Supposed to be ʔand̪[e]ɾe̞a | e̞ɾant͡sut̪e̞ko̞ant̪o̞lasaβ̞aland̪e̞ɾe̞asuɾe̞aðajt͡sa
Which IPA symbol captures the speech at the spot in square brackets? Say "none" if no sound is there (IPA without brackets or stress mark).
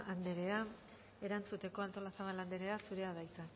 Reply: e